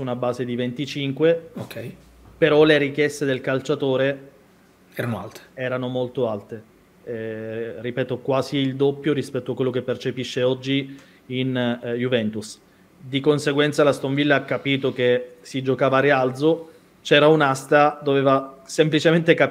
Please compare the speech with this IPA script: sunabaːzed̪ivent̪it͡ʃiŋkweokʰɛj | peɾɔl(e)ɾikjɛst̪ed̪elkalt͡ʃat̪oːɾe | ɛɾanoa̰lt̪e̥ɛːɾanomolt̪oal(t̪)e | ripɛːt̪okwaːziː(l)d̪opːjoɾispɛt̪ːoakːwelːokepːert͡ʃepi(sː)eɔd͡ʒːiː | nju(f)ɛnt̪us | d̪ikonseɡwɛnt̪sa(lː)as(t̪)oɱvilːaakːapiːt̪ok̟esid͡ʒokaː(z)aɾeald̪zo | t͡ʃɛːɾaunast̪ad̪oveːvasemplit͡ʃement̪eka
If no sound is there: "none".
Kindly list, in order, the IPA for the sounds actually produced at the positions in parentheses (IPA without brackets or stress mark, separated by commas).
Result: e, t̪, l, ʃː, v, l, t̪, v